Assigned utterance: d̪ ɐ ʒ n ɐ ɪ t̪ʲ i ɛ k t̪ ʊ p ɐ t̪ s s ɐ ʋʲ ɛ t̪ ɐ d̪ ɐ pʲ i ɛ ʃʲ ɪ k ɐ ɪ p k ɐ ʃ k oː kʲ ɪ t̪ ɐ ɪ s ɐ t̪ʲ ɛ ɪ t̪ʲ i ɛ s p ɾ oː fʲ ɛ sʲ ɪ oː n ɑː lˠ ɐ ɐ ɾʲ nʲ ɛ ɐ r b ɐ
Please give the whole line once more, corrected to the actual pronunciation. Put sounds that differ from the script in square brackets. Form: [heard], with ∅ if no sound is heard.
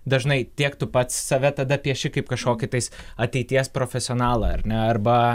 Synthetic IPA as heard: d̪ ɐ ʒ n ɐ ɪ t̪ʲ i ɛ k t̪ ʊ p ɐ t̪ s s ɐ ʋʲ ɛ t̪ ɐ d̪ ɐ pʲ i ɛ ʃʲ ɪ k ɐ ɪ p k ɐ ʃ k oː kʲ ɪ t̪ ɐ ɪ s ɐ t̪ʲ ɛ ɪ t̪ʲ i ɛ s p ɾ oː fʲ ɛ sʲ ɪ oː n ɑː lˠ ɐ ɐ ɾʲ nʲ ɛ ɐ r b ɐ